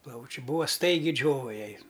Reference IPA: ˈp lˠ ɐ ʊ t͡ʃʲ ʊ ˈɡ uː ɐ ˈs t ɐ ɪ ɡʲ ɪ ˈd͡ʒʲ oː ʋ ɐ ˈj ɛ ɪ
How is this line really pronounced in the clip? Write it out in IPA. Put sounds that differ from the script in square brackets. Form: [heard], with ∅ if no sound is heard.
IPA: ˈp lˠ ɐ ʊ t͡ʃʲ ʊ [ˈb] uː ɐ ˈs t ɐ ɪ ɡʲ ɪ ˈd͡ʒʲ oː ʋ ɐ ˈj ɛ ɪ